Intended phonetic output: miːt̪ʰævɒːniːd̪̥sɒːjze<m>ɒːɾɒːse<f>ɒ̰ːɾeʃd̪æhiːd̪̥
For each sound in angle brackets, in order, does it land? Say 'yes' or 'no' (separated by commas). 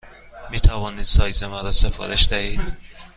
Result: yes, yes